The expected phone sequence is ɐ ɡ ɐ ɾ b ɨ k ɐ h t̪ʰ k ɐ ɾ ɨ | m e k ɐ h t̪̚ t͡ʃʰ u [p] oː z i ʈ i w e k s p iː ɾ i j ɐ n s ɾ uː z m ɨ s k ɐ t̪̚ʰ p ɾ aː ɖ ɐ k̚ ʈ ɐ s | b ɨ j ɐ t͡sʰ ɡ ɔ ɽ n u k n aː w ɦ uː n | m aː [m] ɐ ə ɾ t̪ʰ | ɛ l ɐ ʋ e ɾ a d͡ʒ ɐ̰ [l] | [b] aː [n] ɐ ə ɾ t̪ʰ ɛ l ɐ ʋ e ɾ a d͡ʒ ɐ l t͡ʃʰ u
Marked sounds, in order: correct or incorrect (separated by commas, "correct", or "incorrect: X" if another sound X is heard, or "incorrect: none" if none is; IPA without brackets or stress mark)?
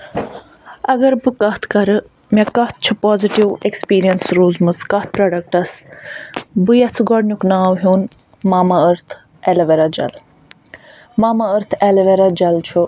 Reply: correct, correct, correct, incorrect: m, incorrect: m